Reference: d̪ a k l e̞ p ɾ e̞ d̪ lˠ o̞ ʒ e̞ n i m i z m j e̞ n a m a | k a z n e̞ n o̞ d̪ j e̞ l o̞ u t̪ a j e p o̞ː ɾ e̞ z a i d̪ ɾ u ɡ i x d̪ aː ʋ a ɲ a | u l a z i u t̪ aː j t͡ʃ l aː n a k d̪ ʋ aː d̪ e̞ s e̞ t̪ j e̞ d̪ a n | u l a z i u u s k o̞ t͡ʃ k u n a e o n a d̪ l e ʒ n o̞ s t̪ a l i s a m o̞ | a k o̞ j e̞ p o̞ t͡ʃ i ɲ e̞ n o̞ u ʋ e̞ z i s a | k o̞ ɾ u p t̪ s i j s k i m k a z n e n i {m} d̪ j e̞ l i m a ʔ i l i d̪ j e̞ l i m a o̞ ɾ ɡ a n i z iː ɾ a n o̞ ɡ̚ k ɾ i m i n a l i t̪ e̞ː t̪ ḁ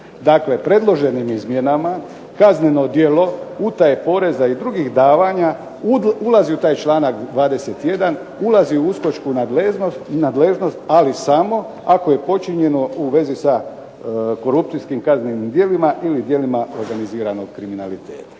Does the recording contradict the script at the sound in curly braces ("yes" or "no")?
no